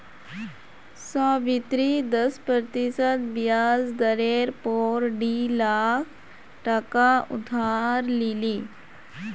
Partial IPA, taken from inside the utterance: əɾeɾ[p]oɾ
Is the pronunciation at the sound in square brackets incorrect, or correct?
correct